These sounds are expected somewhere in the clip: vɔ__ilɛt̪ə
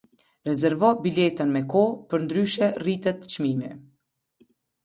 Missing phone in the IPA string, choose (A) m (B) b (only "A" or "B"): B